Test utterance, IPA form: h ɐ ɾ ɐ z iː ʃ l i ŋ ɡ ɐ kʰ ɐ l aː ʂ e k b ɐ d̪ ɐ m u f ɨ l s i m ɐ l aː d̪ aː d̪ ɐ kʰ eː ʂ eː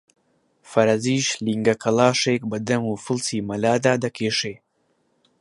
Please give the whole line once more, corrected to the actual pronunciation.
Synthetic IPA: f ɐ ɾ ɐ z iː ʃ l i ŋ ɡ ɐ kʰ ɐ l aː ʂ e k b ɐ d̪ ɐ m u f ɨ l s i m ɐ l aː d̪ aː d̪ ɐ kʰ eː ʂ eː